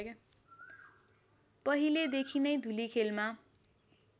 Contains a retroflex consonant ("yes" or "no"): no